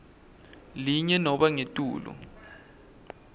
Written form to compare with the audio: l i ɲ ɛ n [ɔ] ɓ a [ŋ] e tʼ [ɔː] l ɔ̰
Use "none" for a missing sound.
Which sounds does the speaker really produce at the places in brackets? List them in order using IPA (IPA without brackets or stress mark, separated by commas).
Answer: ɔ, ŋ, uː